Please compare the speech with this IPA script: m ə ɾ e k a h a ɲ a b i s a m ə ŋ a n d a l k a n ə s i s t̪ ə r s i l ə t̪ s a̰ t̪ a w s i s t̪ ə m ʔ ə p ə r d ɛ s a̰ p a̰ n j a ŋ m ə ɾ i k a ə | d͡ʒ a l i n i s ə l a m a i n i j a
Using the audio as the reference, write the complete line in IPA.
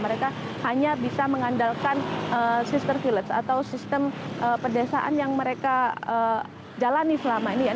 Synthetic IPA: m ə ɾ e k a h a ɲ a b i s a m ə ŋ a n d a l k a n ə s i s t̪ ə r f i l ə t̪ s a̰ t̪ a w s i s t̪ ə m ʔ ə p ə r d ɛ s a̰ ʔ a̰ n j a ŋ m ə ɾ e k a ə | d͡ʒ a l a n i s ə l a m a i n i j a